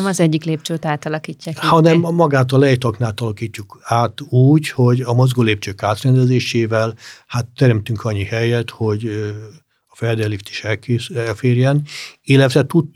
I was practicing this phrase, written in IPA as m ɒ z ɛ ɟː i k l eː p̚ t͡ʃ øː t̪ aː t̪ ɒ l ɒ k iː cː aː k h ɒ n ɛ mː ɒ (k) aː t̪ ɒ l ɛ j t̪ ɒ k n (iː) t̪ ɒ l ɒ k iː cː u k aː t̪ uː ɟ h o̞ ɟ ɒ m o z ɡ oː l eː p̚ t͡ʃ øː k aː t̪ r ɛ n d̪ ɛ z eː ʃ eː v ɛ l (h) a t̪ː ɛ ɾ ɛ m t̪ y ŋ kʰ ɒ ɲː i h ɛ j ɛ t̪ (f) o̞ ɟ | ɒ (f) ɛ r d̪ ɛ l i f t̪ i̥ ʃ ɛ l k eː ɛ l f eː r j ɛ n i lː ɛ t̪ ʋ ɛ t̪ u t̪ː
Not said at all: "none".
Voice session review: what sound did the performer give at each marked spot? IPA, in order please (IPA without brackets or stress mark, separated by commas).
ɡ, aː, h, h, f